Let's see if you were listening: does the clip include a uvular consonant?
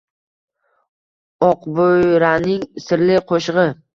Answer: yes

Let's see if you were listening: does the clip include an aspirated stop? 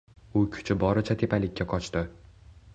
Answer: yes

